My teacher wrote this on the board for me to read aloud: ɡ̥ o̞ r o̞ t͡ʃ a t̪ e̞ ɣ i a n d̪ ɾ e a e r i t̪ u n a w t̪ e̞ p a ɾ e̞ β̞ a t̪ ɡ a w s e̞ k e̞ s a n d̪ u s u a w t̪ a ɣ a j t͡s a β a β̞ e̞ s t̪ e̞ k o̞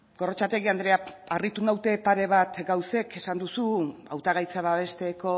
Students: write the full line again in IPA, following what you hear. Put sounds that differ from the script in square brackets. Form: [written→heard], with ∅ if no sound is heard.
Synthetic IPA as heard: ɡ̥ o̞ r o̞ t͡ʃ a t̪ e̞ ɣ i a n d̪ ɾ e a [e→a] r i t̪ u n a w t̪ e̞ p a ɾ e̞ β̞ a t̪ ɡ a w s e̞ k e̞ s a n d̪ u s u a w t̪ a ɣ a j t͡s a β a β̞ e̞ s t̪ e̞ k o̞